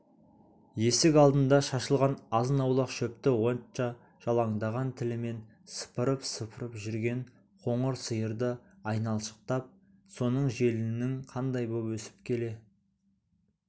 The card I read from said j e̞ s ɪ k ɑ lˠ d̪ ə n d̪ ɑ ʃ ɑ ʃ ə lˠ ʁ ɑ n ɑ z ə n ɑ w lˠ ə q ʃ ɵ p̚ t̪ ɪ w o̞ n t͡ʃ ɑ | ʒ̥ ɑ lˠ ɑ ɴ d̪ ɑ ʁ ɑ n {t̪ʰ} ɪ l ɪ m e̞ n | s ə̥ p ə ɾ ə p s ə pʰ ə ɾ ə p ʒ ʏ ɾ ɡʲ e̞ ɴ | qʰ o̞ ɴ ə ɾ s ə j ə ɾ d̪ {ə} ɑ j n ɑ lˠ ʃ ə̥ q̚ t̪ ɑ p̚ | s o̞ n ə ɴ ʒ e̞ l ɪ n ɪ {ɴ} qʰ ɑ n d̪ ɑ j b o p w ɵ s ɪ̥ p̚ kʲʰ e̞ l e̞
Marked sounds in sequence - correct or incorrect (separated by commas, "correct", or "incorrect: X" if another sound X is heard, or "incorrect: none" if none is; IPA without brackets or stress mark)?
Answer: correct, correct, incorrect: ŋ